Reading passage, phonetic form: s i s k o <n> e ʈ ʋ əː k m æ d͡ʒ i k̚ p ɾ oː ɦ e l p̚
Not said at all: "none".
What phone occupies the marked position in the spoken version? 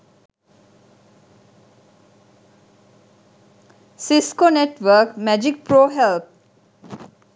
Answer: n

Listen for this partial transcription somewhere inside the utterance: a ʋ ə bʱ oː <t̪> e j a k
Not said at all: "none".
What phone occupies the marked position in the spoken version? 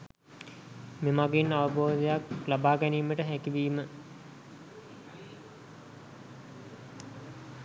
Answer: d̪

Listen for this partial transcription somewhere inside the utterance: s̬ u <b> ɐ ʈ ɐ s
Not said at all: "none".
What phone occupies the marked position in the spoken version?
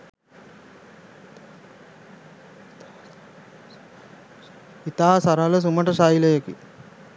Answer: m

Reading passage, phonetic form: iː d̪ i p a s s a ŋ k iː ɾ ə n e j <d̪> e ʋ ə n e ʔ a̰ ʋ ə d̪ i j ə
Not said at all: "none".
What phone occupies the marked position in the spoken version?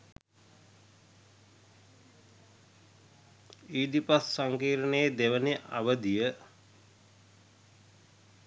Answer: d̪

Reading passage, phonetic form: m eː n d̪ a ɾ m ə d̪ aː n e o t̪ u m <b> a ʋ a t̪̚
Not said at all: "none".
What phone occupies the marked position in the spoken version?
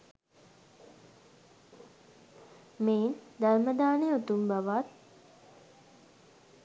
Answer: b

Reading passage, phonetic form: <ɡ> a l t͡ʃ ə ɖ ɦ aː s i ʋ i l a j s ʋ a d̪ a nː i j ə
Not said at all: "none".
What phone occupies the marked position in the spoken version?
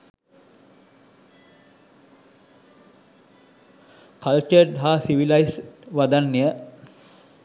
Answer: k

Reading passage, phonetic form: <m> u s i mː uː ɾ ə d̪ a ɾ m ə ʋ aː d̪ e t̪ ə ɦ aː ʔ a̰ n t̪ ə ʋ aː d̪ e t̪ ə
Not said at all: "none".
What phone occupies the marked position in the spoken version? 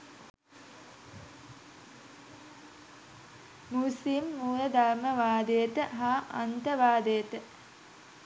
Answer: m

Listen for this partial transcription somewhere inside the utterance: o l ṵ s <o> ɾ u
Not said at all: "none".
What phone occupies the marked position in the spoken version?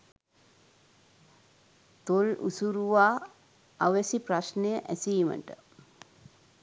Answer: u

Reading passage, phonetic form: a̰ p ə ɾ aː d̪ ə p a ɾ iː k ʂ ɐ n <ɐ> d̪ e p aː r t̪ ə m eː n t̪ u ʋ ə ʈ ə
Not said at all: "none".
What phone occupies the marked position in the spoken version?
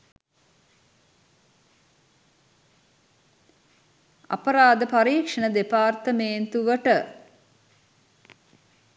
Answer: ə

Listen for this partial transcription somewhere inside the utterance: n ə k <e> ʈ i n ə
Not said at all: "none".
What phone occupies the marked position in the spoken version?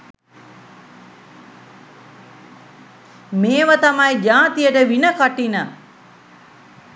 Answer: a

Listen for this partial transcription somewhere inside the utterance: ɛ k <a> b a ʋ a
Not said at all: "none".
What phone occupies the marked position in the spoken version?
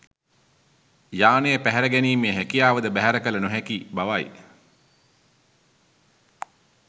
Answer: i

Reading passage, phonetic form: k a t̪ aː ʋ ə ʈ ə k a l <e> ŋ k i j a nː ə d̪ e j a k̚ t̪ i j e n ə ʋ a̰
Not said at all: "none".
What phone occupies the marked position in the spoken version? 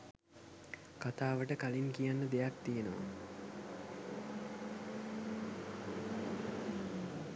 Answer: i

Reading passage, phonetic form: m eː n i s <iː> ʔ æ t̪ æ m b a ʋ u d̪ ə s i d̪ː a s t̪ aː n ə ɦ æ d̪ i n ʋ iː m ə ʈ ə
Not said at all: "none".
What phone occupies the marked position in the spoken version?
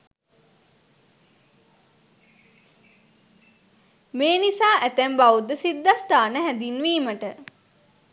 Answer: aː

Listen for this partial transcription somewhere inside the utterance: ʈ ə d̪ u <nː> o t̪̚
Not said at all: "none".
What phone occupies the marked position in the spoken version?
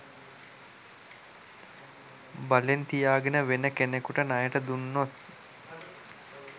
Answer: nː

